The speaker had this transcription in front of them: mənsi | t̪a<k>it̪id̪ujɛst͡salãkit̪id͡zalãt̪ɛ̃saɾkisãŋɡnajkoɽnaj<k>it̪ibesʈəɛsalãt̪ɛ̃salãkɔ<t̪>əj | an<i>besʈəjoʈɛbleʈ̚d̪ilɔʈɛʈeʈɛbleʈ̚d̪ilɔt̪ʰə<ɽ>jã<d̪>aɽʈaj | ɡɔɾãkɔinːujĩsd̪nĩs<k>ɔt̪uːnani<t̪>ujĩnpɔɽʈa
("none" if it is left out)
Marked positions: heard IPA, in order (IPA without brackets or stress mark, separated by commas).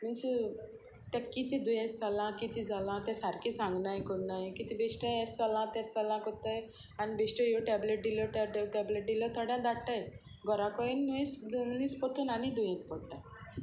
k, k, t̪, i, ɽ, d̪, p, d̪